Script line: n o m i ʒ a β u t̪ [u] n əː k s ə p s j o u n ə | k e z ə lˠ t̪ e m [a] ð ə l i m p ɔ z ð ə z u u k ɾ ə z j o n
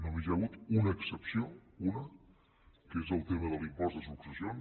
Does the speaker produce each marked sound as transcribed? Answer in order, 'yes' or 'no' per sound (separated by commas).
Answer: yes, no